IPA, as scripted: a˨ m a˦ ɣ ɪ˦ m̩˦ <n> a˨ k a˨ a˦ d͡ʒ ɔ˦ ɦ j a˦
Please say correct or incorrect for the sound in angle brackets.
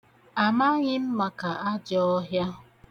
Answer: incorrect